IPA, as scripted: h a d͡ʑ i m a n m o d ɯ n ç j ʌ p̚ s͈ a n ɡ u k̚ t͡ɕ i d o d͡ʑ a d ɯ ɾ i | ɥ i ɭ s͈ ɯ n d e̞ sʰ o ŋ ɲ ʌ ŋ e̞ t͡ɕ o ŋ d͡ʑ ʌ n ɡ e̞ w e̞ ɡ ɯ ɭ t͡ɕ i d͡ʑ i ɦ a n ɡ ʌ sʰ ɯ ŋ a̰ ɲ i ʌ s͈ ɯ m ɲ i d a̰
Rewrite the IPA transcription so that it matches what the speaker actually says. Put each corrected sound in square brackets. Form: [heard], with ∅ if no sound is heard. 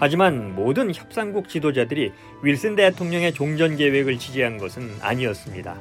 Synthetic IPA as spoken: h a d͡ʑ i m a n m o d ɯ n ç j ʌ p̚ s͈ a [ŋ] ɡ u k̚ t͡ɕ i d o d͡ʑ a d ɯ ɾ i | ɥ i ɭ s͈ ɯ n d e̞ [tʰ] o ŋ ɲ ʌ ŋ e̞ t͡ɕ o ŋ d͡ʑ ʌ n ɡ e̞ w e̞ ɡ ɯ ɭ t͡ɕ i d͡ʑ i ɦ a n ɡ ʌ sʰ ɯ [n] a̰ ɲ i ʌ s͈ ɯ m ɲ i d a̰